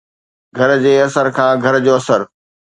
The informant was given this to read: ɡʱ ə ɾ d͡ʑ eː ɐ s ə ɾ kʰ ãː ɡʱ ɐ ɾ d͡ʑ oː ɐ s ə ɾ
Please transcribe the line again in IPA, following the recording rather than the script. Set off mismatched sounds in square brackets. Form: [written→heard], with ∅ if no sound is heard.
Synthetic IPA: ɡʱ [ə→ɐ] ɾ d͡ʑ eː ɐ s ə ɾ kʰ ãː ɡʱ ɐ ɾ d͡ʑ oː ɐ s ə ɾ